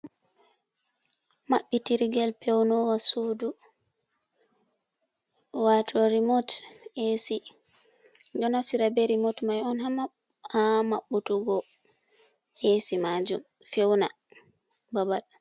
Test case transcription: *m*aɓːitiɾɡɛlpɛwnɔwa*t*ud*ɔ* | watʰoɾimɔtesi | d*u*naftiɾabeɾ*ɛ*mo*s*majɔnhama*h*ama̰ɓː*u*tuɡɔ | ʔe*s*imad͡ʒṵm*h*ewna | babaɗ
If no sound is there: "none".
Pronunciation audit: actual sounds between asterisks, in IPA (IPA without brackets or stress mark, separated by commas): m, s, u, ɔ, i, t, h, u, s, f